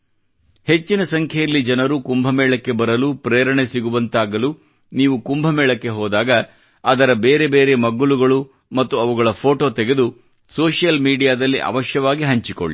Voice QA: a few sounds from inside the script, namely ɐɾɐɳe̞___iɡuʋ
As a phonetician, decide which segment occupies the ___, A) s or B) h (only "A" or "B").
A